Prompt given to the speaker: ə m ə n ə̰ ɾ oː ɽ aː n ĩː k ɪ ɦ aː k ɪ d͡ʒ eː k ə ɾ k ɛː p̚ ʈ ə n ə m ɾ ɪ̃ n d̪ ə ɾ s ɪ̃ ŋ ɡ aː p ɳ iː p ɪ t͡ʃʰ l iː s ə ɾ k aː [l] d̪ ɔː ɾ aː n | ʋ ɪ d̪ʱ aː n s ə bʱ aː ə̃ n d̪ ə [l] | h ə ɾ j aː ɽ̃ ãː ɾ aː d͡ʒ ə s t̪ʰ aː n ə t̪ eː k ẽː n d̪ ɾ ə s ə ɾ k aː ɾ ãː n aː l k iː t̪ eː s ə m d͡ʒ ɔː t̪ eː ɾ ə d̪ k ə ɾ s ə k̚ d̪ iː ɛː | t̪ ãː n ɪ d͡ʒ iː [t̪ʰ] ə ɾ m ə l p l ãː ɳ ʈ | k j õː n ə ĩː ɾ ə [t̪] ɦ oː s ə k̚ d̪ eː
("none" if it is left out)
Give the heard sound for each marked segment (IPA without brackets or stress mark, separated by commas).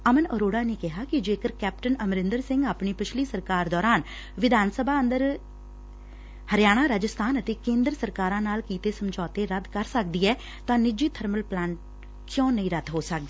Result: ɾ, ɾ, t̪ʰ, d̪